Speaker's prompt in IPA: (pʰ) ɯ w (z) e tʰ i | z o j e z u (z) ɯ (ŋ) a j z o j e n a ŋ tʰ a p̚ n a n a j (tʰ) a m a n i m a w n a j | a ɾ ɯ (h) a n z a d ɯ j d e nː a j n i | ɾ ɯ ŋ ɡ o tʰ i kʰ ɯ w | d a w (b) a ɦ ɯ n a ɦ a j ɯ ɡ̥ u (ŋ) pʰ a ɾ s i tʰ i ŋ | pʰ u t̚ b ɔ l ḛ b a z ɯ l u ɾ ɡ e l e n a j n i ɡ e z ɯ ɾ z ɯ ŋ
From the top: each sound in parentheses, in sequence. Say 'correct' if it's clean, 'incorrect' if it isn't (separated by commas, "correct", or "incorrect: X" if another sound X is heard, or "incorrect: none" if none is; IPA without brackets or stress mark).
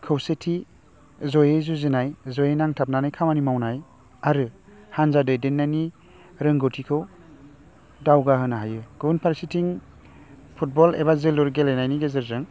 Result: incorrect: kʰ, incorrect: s, correct, incorrect: n, incorrect: kʰ, correct, incorrect: ɡ, incorrect: n